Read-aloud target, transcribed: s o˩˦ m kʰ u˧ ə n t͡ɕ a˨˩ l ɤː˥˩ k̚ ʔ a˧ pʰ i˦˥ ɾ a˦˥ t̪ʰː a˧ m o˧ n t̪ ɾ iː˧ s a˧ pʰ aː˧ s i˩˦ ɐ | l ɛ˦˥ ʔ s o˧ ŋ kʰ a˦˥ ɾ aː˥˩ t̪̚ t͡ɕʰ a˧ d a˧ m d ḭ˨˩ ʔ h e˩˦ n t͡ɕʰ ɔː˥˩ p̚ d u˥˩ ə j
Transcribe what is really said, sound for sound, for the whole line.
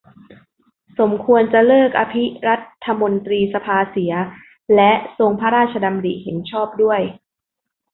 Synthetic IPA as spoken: s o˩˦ m kʰ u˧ ə n t͡ɕ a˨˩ l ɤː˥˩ k̚ ʔ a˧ pʰ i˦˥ ɾ a˦˥ t̪ʰː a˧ m o˧ n t̪ ɾ iː˧ s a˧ pʰ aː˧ s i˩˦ ɐ | l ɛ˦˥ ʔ s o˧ ŋ pʰ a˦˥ ɾ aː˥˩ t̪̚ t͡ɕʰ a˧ d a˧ m d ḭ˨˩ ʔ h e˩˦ n t͡ɕʰ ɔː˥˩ p̚ d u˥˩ ə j